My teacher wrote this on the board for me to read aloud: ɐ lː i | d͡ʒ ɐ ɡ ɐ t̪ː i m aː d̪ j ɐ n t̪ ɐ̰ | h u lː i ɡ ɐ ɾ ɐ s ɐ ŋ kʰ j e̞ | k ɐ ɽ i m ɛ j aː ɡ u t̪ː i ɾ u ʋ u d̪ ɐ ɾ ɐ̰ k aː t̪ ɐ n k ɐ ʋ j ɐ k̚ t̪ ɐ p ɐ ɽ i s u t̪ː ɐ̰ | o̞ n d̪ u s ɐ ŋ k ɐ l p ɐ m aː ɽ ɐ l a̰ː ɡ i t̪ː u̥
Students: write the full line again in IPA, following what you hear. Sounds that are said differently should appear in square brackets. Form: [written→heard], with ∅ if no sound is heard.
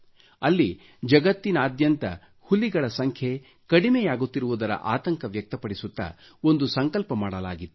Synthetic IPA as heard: ɐ lː i | d͡ʒ ɐ ɡ ɐ t̪ː i [m→n] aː d̪ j ɐ n t̪ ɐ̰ | h u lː i ɡ ɐ [ɾ→ɭ] ɐ s ɐ ŋ kʰ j e̞ | k ɐ ɽ i m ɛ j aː ɡ u t̪ː i ɾ u ʋ u d̪ ɐ ɾ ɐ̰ [k→ʔ] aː t̪ ɐ [n→ŋ] k ɐ ʋ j ɐ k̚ t̪ ɐ p ɐ ɽ i s u t̪ː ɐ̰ | o̞ n d̪ u s ɐ ŋ k ɐ l p ɐ m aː ɽ ɐ l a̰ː ɡ i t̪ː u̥

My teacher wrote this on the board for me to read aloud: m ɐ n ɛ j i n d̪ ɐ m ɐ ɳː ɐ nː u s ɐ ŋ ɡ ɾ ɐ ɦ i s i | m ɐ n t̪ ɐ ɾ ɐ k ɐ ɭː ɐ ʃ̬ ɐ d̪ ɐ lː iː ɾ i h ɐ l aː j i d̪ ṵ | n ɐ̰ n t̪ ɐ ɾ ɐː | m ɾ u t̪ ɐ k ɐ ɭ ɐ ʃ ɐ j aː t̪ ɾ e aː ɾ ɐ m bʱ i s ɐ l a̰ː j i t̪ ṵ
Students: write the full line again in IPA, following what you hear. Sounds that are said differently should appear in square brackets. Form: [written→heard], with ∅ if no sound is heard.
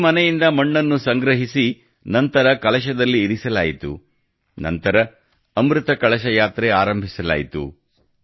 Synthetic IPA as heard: m ɐ n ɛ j i n d̪ ɐ m ɐ ɳː ɐ nː u s ɐ ŋ ɡ ɾ ɐ ɦ i s i | [m→n] ɐ n t̪ ɐ ɾ ɐ k ɐ [ɭː→ɭ] ɐ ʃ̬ ɐ d̪ ɐ lː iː ɾ i [h→s] ɐ l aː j i [d̪→t̪] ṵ | n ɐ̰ n t̪ ɐ ɾ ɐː | m ɾ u t̪ ɐ k ɐ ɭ ɐ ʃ ɐ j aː t̪ ɾ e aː ɾ ɐ m bʱ i s ɐ l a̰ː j i t̪ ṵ

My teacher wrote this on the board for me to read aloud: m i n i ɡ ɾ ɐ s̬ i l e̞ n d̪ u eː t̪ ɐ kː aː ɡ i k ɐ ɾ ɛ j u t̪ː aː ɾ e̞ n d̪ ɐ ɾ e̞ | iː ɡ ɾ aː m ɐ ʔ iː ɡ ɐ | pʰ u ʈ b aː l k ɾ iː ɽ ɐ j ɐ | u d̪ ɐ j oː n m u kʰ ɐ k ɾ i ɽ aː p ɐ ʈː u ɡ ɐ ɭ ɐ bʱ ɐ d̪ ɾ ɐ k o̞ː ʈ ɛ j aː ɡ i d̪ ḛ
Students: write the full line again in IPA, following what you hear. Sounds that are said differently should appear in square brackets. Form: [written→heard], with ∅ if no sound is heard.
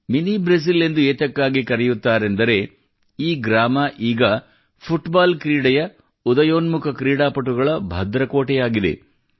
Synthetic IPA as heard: m i n i [ɡ→b] ɾ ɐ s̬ i l e̞ n d̪ u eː t̪ ɐ kː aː ɡ i k ɐ ɾ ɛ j u t̪ː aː ɾ e̞ n d̪ ɐ ɾ e̞ | iː ɡ ɾ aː m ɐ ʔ iː ɡ ɐ | pʰ u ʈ b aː l k ɾ iː ɽ ɐ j ɐ | u d̪ ɐ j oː n m u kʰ ɐ k ɾ [i→iː] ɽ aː p ɐ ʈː u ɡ ɐ ɭ ɐ bʱ ɐ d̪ ɾ ɐ k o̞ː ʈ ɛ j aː ɡ i d̪ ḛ

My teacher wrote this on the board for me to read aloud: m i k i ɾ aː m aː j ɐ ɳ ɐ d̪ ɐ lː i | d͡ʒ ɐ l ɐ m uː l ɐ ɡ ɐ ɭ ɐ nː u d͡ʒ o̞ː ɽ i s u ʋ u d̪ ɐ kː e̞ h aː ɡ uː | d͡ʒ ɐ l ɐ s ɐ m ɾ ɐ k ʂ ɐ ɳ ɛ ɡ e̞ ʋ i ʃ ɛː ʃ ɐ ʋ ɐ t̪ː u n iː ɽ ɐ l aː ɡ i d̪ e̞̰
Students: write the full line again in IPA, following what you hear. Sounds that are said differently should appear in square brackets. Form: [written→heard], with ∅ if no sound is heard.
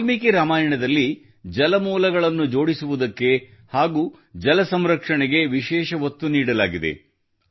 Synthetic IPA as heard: m i k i ɾ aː m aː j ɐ ɳ ɐ d̪ ɐ lː i | d͡ʒ ɐ l ɐ m uː l ɐ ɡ ɐ ɭ ɐ nː u d͡ʒ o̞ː ɽ i s u ʋ u d̪ ɐ kː e̞ h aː ɡ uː | d͡ʒ ɐ l ɐ s ɐ m ɾ ɐ k ʂ ɐ ɳ ɛ ɡ e̞ ʋ i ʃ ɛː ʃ ɐ ʋ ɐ t̪ː u n iː ɽ ɐ l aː ɡ i d̪ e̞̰

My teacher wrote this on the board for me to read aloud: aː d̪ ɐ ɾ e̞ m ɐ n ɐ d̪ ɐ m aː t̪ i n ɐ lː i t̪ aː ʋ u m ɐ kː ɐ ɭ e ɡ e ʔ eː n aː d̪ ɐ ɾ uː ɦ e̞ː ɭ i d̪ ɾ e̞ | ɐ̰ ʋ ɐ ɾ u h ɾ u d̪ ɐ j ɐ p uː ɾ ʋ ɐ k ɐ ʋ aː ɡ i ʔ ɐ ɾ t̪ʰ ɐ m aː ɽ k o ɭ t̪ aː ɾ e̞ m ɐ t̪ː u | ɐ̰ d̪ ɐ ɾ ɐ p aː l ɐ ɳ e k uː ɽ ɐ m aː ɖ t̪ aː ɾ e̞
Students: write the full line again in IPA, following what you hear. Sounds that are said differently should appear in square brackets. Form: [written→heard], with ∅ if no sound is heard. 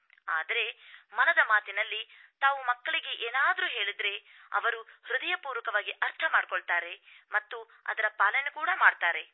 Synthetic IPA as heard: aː d̪ ɐ ɾ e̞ m ɐ n ɐ d̪ ɐ m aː t̪ i n ɐ lː i t̪ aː ʋ u m ɐ kː ɐ ɭ [e→i] ɡ e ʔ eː n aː d̪ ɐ ɾ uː ɦ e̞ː ɭ i d̪ ɾ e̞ | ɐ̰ ʋ ɐ ɾ u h ɾ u d̪ ɐ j ɐ p uː ɾ ʋ ɐ k ɐ ʋ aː ɡ i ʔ ɐ ɾ t̪ʰ ɐ m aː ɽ k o ɭ t̪ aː ɾ e̞ m ɐ t̪ː u | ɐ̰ d̪ ɐ ɾ ɐ p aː l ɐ [ɳ→n] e k uː ɽ ɐ m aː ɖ t̪ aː ɾ e̞

